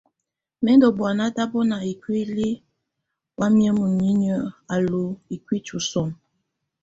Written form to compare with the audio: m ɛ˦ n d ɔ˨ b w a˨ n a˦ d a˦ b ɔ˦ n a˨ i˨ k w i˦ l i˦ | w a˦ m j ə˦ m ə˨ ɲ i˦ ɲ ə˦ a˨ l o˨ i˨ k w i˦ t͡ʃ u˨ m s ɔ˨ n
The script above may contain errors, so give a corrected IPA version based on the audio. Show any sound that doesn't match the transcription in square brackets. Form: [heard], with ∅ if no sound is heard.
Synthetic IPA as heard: m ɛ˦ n d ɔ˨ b w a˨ n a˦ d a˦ b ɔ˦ n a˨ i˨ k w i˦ l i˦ | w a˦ m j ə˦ m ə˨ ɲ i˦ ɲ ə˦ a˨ l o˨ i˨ k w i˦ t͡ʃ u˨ [∅] s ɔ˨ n